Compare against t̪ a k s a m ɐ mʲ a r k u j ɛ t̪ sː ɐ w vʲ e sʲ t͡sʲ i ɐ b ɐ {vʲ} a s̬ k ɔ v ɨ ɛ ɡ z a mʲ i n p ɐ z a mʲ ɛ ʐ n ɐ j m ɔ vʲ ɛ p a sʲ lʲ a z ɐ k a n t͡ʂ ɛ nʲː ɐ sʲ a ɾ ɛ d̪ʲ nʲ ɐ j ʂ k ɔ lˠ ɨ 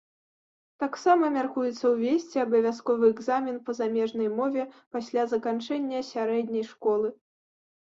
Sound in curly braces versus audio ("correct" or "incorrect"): correct